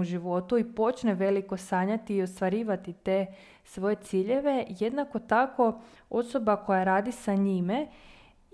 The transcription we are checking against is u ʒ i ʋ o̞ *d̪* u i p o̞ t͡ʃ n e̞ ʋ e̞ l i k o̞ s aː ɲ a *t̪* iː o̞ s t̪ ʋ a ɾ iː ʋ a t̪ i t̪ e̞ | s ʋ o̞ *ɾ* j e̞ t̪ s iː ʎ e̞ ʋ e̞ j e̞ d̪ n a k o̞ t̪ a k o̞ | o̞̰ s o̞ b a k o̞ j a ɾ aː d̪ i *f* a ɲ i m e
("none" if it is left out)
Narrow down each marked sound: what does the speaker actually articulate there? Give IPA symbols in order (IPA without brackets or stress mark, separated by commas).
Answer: t̪, t̪, none, s